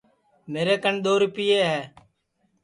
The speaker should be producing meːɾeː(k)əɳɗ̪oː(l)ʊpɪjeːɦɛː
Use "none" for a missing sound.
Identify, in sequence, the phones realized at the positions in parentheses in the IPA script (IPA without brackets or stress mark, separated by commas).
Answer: k, ɾ